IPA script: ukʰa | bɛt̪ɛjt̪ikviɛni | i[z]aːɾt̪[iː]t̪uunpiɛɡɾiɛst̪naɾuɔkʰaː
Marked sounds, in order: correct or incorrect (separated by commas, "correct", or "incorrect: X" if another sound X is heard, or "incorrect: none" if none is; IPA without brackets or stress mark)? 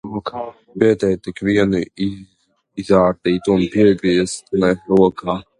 correct, correct